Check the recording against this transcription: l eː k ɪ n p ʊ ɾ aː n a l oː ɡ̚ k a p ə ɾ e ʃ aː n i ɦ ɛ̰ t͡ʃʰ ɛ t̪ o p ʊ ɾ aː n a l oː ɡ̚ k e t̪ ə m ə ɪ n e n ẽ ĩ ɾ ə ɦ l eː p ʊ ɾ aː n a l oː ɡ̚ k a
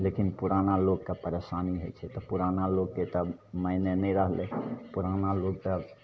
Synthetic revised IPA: l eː k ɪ n p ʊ ɾ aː n a l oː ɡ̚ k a p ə ɾ e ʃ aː n i ɦ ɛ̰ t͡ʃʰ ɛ t̪ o p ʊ ɾ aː n a l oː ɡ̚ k e t̪ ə m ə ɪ n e n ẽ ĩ ɾ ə ɦ l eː p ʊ ɾ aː n a l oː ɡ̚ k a